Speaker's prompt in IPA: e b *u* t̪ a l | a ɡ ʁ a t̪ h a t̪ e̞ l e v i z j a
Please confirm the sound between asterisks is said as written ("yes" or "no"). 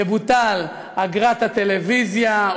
yes